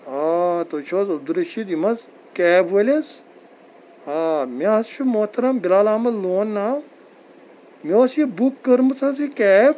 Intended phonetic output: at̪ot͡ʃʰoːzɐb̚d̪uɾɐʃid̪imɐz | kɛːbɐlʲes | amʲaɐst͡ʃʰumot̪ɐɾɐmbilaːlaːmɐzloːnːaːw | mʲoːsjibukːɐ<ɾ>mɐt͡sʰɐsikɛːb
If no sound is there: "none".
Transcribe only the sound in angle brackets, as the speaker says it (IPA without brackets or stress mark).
ɾ